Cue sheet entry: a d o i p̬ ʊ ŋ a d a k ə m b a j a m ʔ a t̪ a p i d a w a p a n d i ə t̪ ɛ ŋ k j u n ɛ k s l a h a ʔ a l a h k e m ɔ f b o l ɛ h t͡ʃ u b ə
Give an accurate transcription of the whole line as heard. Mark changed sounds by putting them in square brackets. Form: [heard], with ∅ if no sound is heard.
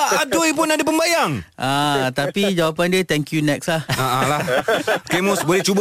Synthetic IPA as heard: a d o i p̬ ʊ [n] a d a [p] ə m b a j a [ŋ] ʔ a t̪ a p i [d͡ʒ] a w a p a n d i ə t̪ ɛ ŋ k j u n ɛ k s l a h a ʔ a l a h k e m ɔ [s] b o l ɛ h t͡ʃ u b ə